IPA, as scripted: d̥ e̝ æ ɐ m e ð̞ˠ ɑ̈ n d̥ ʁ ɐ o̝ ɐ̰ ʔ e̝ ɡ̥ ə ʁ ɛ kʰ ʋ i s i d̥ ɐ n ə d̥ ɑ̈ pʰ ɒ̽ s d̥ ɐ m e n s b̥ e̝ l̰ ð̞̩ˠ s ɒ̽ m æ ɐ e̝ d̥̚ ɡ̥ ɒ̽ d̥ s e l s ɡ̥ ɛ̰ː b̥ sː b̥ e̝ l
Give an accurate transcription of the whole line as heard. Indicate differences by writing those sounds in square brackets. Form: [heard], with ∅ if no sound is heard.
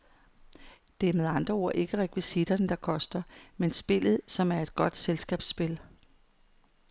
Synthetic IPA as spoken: d̥ e̝ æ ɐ m e ð̞ˠ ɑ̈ n d̥ ʁ ɐ o̝ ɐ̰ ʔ e̝ ɡ̥ ə ʁ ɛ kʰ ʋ i s i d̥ ɐ n ə d̥ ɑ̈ [kʰ] ɒ̽ s d̥ ɐ m e n s b̥ e̝ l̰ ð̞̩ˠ s ɒ̽ m æ ɐ e̝ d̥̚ ɡ̥ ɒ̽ d̥ s e l s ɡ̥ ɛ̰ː b̥ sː b̥ e̝ l